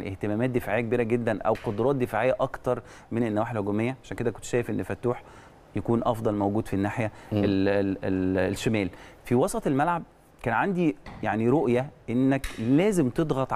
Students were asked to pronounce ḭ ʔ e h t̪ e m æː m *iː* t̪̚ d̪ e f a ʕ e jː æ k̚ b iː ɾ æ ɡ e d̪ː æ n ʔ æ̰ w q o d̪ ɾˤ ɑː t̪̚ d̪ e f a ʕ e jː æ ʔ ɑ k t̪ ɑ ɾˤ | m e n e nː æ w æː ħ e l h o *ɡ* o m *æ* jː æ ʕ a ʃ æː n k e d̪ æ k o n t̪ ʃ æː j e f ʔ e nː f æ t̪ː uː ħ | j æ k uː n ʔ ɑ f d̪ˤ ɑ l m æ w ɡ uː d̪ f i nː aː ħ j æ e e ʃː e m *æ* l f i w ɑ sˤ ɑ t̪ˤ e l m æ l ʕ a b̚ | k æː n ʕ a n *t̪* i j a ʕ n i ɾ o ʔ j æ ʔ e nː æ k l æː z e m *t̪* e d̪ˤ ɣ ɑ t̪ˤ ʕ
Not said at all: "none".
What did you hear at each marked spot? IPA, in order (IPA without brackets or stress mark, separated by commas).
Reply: æː, ɡ, e, æː, d̪, t̪